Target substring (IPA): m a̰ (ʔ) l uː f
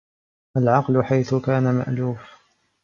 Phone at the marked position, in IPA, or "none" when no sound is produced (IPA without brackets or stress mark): ʔ